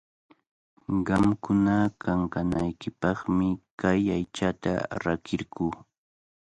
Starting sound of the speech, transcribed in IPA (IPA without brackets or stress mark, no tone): ɢ